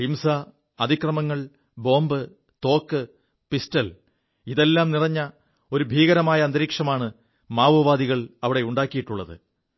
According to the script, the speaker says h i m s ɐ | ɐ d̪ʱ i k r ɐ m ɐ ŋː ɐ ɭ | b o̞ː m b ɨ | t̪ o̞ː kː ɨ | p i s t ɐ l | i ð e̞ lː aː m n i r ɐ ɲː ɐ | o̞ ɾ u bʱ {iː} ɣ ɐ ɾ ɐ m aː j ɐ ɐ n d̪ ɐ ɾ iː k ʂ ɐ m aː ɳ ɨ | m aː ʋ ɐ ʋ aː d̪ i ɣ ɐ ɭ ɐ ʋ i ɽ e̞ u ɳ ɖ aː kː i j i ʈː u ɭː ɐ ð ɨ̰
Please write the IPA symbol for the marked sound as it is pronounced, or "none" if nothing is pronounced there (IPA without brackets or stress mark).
iː